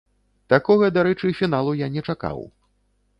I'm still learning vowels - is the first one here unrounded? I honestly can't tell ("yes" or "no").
yes